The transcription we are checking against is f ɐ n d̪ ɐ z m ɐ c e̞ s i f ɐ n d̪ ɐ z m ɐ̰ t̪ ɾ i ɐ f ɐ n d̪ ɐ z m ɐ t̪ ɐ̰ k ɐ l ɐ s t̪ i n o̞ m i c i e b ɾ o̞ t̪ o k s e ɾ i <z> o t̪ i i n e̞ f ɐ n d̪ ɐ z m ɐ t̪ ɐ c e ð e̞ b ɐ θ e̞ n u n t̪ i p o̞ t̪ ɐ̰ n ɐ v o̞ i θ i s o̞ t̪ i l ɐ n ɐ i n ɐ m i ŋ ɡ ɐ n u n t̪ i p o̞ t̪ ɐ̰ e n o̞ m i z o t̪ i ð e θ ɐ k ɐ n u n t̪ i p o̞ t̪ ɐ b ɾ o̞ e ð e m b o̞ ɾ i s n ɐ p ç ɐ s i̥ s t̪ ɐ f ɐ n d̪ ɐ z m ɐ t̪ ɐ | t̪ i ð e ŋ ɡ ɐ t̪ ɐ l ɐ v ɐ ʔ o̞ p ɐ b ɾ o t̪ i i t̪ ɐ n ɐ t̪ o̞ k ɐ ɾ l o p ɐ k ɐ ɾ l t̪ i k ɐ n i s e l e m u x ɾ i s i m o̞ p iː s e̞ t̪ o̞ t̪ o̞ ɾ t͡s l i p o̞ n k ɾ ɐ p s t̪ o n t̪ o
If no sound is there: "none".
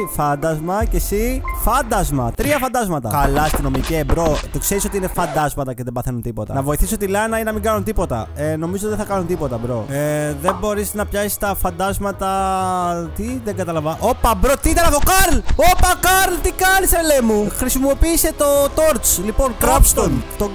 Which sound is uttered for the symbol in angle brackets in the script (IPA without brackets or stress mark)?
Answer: s